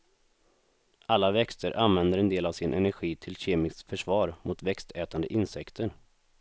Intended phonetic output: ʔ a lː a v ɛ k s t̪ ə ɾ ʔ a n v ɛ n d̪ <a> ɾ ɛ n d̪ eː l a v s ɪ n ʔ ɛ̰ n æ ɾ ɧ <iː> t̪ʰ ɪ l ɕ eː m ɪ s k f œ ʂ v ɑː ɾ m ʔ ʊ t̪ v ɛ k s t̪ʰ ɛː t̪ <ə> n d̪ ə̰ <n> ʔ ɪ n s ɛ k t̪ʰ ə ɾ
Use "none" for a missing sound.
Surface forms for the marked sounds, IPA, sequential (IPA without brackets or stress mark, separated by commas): ə, iː, a, none